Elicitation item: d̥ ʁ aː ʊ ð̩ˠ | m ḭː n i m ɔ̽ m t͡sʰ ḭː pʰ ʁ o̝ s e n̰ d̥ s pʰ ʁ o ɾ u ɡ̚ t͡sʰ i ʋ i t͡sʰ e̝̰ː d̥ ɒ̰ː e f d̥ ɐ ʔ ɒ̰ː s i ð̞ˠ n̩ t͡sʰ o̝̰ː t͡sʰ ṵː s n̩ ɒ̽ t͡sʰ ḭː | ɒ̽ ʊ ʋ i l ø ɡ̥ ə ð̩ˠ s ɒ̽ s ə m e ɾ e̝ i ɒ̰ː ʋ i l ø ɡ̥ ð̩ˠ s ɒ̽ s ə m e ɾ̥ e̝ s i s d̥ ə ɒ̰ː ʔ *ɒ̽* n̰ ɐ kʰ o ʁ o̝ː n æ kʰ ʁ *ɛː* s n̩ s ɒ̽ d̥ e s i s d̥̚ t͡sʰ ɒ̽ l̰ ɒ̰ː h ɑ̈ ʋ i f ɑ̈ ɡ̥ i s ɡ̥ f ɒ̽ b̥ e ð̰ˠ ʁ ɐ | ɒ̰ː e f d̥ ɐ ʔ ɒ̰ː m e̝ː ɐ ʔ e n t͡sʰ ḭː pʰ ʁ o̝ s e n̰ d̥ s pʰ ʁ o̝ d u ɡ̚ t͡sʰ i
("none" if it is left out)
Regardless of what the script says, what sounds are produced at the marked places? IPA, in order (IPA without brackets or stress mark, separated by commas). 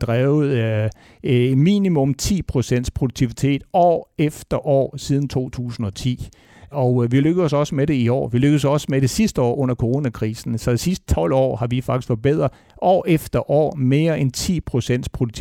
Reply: ɔ̽, iː